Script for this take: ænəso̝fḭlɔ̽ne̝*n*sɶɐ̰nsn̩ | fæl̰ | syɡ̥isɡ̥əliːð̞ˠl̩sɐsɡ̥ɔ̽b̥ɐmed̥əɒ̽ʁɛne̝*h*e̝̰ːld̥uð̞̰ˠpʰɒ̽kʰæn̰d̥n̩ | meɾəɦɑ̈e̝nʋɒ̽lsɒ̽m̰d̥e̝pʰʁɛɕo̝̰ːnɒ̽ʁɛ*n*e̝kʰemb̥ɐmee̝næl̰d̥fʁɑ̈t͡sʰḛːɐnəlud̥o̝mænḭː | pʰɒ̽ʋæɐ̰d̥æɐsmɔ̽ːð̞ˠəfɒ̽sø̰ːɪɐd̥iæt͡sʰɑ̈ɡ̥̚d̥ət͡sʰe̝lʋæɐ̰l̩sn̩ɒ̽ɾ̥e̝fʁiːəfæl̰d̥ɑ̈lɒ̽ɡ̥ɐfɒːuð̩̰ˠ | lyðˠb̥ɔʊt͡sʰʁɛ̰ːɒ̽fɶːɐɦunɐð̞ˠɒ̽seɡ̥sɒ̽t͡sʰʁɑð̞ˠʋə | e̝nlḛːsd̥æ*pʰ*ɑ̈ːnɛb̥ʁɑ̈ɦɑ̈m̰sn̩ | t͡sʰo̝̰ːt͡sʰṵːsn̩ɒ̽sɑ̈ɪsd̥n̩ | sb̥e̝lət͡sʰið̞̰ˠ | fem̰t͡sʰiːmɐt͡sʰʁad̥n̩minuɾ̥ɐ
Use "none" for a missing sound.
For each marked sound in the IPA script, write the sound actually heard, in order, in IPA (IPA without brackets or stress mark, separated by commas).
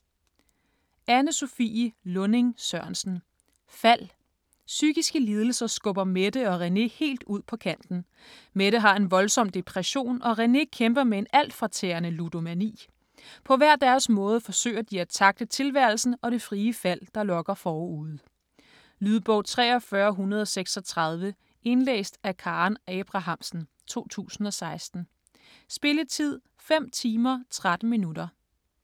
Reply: ŋ, h, n, kʰ